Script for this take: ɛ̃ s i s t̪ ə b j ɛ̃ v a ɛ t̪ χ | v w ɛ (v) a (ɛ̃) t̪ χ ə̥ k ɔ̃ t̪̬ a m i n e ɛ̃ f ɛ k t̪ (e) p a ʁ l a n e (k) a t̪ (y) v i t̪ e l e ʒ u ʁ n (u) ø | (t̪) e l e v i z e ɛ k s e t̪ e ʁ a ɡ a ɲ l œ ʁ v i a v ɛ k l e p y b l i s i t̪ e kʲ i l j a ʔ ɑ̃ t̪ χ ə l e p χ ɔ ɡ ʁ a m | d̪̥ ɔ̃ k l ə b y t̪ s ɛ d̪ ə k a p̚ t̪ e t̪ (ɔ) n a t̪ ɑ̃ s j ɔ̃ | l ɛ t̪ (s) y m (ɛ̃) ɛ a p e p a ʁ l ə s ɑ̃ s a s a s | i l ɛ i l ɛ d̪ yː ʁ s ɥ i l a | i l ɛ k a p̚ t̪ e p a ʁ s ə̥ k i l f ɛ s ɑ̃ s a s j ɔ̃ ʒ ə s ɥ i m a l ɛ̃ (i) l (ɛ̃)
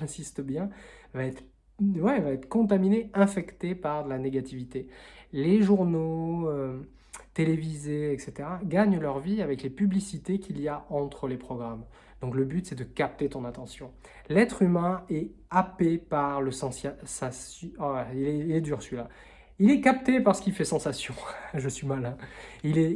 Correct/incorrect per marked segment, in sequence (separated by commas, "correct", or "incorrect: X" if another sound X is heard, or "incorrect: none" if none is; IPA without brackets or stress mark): correct, incorrect: ɛ, correct, incorrect: ɡ, incorrect: i, incorrect: o, correct, incorrect: ɔ̃, incorrect: χ, correct, correct, incorrect: ɛ